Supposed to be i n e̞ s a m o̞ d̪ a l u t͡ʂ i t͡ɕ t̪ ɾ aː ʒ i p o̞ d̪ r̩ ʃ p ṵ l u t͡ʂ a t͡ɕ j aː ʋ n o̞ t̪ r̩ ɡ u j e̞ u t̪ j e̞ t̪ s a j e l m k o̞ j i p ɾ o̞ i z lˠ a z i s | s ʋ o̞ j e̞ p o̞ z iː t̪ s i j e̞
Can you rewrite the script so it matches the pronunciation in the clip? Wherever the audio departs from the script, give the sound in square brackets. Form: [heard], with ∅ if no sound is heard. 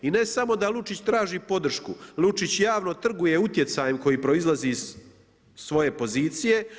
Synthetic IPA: i n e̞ s a m o̞ d̪ a l u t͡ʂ i t͡ɕ t̪ ɾ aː ʒ i p o̞ d̪ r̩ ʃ [k] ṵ l u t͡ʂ [i] t͡ɕ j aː ʋ n o̞ t̪ r̩ ɡ u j e̞ u t̪ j e̞ t̪ s a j e [∅] m k o̞ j i p ɾ o̞ i z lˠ a z i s | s ʋ o̞ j e̞ p o̞ z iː t̪ s i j e̞